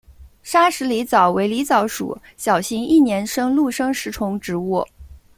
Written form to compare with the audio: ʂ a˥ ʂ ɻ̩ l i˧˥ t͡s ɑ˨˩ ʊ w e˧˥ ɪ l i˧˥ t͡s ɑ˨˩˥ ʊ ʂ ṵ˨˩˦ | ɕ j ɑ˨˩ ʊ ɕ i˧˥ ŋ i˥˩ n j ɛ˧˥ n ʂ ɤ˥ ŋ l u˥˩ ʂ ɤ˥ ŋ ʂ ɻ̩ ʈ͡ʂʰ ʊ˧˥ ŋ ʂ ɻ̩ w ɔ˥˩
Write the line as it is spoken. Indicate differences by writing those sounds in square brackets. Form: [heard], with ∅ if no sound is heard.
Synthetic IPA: ʂ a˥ ʂ ɻ̩ l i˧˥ t͡s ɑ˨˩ ʊ w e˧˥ ɪ l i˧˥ t͡s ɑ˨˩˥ ʊ ʂ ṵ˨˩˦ | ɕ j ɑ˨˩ ʊ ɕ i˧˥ ŋ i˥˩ n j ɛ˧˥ n ʂ ɤ˥ ŋ l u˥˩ ʂ ɤ˥ ŋ ʂ ɻ̩ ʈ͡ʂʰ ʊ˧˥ ŋ [ʈ͡ʂ] ɻ̩ w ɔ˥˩

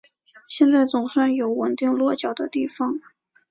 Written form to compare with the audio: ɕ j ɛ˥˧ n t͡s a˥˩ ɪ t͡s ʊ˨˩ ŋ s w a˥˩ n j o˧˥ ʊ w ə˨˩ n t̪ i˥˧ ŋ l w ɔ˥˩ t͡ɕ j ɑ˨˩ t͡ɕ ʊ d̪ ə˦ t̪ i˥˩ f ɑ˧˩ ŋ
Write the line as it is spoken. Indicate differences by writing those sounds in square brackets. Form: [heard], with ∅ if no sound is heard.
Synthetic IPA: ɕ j ɛ˥˧ n t͡s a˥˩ ɪ t͡s ʊ˨˩ ŋ s w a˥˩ n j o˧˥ ʊ w ə˨˩ n t̪ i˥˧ ŋ l w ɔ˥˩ t͡ɕ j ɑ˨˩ [∅] ʊ d̪ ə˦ t̪ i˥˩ f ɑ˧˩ ŋ

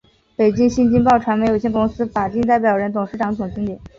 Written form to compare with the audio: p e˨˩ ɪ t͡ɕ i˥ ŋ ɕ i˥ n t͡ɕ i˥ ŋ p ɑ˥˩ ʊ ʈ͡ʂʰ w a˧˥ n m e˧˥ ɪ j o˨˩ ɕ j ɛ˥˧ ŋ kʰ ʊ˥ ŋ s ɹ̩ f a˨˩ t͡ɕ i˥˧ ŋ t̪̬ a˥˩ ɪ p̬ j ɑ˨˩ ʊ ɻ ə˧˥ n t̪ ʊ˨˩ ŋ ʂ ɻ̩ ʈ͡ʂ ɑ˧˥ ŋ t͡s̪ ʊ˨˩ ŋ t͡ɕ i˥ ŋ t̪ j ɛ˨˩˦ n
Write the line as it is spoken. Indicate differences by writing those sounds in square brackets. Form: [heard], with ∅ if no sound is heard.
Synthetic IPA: p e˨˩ ɪ t͡ɕ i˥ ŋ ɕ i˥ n t͡ɕ i˥ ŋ p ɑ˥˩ ʊ ʈ͡ʂʰ w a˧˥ n m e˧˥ ɪ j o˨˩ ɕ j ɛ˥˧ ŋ [k] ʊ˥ ŋ s ɹ̩ f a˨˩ t͡ɕ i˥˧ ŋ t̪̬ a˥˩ ɪ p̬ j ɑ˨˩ ʊ ɻ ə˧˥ n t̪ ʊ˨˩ ŋ ʂ ɻ̩ ʈ͡ʂ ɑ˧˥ ŋ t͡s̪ ʊ˨˩ ŋ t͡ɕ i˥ ŋ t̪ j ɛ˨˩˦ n

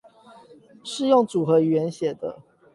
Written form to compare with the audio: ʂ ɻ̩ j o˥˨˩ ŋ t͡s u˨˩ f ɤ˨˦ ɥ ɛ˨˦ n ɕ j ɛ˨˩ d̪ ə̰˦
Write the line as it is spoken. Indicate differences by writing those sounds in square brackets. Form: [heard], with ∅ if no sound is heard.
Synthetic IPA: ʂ ɻ̩ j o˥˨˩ ŋ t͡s u˨˩ [x] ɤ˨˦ ɥ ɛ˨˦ n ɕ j ɛ˨˩ d̪ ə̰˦

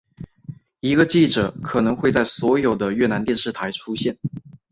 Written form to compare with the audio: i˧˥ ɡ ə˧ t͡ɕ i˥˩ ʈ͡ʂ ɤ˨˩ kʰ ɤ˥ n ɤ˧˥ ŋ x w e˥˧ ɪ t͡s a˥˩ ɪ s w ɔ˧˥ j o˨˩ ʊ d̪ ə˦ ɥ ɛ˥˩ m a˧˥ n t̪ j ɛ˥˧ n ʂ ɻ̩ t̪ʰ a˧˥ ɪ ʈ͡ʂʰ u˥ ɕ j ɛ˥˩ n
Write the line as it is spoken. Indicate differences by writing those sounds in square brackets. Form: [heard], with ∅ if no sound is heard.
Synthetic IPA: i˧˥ ɡ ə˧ t͡ɕ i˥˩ ʈ͡ʂ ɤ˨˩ kʰ [ɤ˨˩] n ɤ˧˥ ŋ x w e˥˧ ɪ t͡s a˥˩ ɪ s w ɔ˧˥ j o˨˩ ʊ d̪ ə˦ ɥ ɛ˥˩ [n] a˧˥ n t̪ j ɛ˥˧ n ʂ ɻ̩ t̪ʰ a˧˥ ɪ ʈ͡ʂʰ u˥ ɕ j ɛ˥˩ n

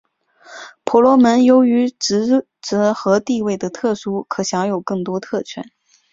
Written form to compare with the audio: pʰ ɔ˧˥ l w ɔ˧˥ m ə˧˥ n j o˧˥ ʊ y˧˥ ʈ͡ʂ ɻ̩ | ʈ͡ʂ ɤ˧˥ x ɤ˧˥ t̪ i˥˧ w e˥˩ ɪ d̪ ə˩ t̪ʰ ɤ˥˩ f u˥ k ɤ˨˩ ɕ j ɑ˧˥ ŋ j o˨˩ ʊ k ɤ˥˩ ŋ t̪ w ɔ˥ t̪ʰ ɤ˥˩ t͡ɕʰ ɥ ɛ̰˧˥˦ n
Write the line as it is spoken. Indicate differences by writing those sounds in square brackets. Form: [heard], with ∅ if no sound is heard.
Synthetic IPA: pʰ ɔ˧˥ l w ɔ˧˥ m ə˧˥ n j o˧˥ ʊ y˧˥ ʈ͡ʂ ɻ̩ | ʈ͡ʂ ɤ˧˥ x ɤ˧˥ t̪ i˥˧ w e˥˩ ɪ d̪ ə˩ t̪ʰ ɤ˥˩ [ʂ] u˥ [kʰ] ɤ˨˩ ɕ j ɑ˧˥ ŋ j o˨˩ ʊ k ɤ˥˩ ŋ t̪ w ɔ˥ t̪ʰ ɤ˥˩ t͡ɕʰ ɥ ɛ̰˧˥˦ n

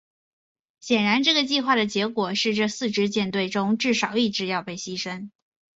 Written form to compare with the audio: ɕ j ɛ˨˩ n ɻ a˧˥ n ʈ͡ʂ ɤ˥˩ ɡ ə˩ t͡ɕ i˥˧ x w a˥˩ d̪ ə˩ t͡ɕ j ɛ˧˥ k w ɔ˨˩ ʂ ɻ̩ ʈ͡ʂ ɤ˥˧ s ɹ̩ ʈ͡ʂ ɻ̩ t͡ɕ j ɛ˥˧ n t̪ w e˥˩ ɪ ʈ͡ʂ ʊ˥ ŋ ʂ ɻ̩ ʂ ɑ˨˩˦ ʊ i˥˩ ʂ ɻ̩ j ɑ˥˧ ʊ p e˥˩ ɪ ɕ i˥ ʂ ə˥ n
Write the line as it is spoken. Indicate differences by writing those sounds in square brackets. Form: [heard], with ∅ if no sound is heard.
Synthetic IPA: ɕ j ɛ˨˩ n ɻ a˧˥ n ʈ͡ʂ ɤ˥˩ ɡ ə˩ t͡ɕ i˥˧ x w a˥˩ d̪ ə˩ t͡ɕ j ɛ˧˥ k w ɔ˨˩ ʂ ɻ̩ ʈ͡ʂ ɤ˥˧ s ɹ̩ ʈ͡ʂ ɻ̩ t͡ɕ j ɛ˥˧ n t̪ w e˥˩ ɪ ʈ͡ʂ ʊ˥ ŋ [ʈ͡ʂ] ɻ̩ ʂ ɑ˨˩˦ ʊ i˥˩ [ʈ͡ʂ] ɻ̩ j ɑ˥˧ ʊ p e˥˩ ɪ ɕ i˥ ʂ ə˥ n

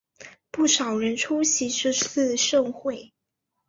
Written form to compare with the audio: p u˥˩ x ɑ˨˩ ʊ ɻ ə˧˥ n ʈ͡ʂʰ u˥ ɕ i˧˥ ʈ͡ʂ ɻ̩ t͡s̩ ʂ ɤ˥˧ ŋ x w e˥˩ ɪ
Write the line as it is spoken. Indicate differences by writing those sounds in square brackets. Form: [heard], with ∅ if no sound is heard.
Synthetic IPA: p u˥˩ [ʂ] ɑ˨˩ ʊ ɻ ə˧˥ n ʈ͡ʂʰ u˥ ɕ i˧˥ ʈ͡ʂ ɻ̩ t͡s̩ ʂ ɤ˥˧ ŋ x w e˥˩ ɪ

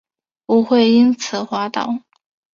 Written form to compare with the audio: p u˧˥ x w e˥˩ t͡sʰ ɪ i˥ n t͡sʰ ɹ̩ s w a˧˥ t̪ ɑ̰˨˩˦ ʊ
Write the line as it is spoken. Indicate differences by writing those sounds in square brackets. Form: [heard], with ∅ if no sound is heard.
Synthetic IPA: p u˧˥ x w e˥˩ [∅] ɪ i˥ n t͡sʰ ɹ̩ [x] w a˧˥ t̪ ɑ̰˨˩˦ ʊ

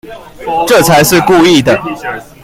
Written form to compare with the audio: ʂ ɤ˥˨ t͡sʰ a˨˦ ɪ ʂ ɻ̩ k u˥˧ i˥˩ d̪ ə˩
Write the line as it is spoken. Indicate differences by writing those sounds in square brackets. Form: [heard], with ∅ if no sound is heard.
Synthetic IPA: [ʈ͡ʂ] ɤ˥˨ t͡sʰ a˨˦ ɪ ʂ ɻ̩ k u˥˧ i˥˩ d̪ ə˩

